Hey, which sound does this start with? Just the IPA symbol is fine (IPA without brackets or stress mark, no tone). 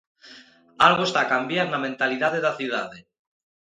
a